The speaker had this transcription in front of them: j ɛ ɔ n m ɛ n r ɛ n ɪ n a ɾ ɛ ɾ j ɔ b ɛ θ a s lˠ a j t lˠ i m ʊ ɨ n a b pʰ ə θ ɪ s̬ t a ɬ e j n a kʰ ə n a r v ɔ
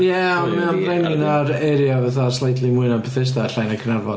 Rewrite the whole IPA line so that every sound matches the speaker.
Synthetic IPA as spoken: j ɛ ɔ n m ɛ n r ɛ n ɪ n a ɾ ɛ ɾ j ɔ v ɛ θ a s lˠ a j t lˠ i m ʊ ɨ n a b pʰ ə θ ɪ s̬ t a ɬ a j n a kʰ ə n a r v ɔ